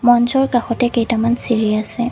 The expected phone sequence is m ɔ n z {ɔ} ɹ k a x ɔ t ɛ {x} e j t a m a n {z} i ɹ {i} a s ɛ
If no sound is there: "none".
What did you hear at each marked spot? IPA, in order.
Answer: ɔ, k, s, i

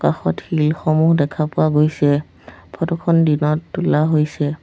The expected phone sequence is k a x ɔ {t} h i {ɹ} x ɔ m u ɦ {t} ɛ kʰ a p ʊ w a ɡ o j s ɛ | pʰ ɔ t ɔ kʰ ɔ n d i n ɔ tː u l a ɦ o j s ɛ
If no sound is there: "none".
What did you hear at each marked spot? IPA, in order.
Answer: t, l, d

